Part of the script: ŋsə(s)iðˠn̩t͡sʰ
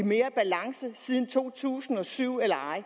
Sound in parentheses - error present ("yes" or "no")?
no